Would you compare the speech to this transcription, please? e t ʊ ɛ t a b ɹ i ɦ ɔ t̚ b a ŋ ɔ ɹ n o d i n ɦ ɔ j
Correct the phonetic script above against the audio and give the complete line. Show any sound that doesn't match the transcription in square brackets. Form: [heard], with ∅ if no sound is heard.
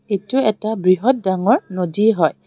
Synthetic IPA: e t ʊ ɛ t a b ɹ i ɦ ɔ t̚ [d] a ŋ ɔ ɹ n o d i [∅] ɦ ɔ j